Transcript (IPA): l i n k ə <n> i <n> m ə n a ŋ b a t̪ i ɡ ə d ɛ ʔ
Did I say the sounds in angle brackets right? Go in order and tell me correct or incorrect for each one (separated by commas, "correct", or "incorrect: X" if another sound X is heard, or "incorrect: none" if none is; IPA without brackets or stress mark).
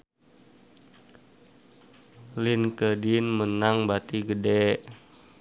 incorrect: d, correct